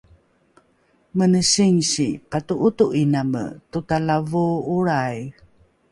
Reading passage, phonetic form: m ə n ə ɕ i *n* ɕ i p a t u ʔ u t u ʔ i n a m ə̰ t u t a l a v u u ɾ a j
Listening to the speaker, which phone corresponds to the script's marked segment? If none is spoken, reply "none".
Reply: ŋ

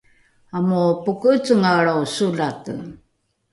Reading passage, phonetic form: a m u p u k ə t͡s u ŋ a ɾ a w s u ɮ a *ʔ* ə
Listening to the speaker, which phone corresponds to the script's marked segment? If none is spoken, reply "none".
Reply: t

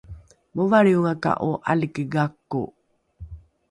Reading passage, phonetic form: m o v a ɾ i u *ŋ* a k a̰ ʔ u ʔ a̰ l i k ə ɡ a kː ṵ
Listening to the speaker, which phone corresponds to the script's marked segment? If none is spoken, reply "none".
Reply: ŋ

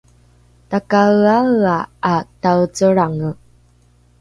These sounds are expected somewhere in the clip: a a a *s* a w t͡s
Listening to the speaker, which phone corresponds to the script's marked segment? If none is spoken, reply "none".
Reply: t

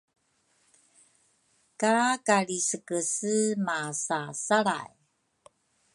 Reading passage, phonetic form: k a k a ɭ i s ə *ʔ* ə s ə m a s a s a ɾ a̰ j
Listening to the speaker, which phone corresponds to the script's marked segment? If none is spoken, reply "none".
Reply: k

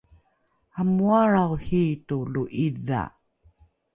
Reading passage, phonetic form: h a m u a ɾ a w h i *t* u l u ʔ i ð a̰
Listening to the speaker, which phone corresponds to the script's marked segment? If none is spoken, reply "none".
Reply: t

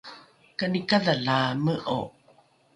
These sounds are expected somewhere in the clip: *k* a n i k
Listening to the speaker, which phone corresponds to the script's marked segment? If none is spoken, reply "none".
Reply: k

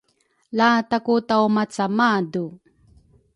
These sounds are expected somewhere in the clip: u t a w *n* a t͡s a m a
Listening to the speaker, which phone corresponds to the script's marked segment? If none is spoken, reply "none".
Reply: m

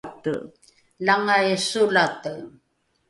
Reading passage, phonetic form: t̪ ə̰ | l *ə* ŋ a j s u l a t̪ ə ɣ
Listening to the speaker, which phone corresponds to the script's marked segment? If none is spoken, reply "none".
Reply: a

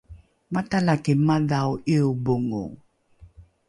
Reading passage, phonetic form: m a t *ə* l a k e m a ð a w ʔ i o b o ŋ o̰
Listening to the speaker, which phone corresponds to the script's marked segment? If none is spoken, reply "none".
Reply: a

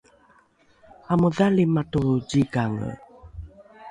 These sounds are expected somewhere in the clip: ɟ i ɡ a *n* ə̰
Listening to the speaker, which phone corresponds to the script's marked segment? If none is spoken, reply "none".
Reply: ŋ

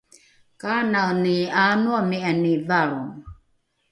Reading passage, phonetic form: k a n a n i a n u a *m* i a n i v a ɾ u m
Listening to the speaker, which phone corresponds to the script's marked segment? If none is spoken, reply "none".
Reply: m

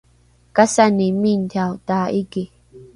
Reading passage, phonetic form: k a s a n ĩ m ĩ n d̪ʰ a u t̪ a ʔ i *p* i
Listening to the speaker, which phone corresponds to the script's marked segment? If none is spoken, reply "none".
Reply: k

